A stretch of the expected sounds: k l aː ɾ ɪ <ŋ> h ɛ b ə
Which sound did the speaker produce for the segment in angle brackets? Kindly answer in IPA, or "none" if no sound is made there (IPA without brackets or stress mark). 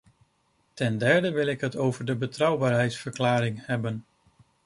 ŋ